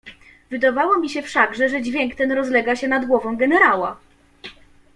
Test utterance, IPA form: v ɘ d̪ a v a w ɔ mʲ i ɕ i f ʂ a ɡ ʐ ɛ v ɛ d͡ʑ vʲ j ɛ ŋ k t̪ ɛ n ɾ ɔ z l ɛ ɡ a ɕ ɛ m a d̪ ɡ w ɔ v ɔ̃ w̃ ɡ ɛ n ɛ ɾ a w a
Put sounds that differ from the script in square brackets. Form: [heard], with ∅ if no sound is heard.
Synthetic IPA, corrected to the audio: v ɘ d̪ a v a w ɔ mʲ i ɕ [ɛ] f ʂ a ɡ ʐ ɛ [ʐ] ɛ d͡ʑ vʲ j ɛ ŋ k t̪ ɛ n ɾ ɔ z l ɛ ɡ a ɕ ɛ [n] a d̪ ɡ w ɔ v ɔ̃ w̃ ɡ ɛ n ɛ ɾ a w a